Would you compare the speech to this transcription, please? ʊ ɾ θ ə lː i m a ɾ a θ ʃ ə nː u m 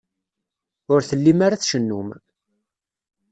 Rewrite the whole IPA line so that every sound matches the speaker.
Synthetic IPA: ʊ ɾ θ ə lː i m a ɾ a θ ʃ ə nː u m

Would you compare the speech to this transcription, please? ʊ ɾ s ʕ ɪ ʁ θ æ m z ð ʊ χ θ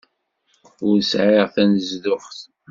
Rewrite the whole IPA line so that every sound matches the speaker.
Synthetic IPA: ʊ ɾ s ʕ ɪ ʁ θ æ n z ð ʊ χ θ

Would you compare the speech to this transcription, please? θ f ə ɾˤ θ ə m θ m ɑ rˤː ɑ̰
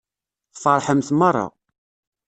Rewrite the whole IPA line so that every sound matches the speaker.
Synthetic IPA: θ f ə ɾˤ ħ ə m θ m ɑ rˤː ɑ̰

